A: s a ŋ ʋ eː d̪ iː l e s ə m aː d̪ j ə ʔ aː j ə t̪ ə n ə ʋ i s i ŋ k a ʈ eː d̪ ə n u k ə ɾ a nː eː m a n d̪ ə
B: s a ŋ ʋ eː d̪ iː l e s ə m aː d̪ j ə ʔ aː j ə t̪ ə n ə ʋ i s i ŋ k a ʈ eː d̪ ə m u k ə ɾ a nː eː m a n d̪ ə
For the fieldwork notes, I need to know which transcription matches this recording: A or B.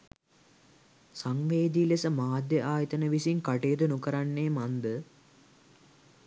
A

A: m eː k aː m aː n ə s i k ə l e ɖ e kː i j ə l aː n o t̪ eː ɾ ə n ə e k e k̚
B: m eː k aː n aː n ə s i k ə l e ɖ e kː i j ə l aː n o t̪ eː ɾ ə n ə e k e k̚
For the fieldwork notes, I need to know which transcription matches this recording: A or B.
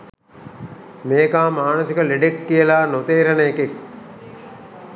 A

